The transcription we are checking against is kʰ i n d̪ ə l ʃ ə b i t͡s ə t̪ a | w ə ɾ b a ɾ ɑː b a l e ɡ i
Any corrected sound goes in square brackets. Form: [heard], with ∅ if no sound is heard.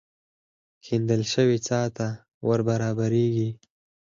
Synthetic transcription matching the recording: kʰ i n d̪ ə l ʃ ə [w] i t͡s [ɑ] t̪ a | w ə ɾ b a ɾ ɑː b a [ɾ] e ɡ i